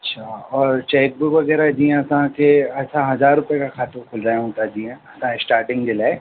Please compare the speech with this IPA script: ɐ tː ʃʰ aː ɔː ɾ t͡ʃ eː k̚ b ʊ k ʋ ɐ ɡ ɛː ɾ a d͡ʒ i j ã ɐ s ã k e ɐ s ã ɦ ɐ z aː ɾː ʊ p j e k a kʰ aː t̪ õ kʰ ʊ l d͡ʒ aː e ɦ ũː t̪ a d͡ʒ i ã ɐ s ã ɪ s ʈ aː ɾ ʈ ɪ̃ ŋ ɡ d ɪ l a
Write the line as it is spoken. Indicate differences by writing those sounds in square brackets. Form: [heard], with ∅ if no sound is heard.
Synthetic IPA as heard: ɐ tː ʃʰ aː ɔː ɾ t͡ʃ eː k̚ b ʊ k ʋ ɐ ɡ ɛː ɾ a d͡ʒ i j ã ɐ s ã k e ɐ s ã ɦ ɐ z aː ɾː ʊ p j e k a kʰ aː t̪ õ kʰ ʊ l d͡ʒ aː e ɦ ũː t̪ a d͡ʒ i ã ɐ s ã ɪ s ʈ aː ɾ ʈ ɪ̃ ŋ ɡ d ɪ l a